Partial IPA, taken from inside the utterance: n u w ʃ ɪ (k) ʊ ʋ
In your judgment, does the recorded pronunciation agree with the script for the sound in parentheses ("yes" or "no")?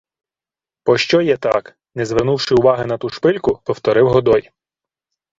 no